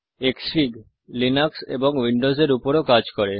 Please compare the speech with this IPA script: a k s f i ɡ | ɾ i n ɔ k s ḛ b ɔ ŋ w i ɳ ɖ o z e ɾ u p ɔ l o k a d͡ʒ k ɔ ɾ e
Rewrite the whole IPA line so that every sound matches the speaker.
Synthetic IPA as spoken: e k s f i ɡ | l i n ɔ k s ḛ b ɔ ŋ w i ɳ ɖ o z e ɾ u p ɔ ɾ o k a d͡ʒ k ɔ ɾ e